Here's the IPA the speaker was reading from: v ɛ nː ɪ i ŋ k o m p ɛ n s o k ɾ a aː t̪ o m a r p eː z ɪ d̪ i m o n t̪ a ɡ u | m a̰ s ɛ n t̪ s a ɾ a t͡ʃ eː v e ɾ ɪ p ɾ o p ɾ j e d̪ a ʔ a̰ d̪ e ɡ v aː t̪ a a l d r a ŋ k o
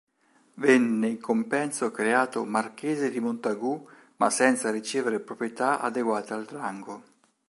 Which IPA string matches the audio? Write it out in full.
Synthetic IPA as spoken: v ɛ nː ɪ i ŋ k o m p ɛ n s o k ɾ e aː t̪ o m a r k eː z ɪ d̪ i m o n t̪ a ɡ u | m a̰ s ɛ n t̪ s a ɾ i t͡ʃ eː v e ɾ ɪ p ɾ o p ɾ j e t̪ a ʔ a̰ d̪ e ɡ w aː t̪ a a l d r a ŋ ɡ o